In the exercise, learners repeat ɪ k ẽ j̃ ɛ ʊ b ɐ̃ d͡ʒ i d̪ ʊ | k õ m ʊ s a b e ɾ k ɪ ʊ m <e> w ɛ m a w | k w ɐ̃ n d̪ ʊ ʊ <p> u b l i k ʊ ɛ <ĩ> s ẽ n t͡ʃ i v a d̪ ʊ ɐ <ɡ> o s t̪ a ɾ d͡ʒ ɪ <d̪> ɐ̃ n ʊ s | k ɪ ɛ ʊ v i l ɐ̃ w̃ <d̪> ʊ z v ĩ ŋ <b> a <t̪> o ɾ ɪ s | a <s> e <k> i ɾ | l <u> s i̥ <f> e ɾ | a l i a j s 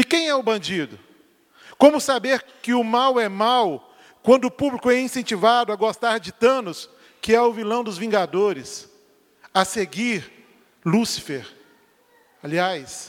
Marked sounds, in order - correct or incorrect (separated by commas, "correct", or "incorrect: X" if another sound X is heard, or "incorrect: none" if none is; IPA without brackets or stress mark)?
incorrect: a, correct, correct, correct, incorrect: t̪, correct, incorrect: ɡ, incorrect: d̪, correct, incorrect: ɡ, correct, correct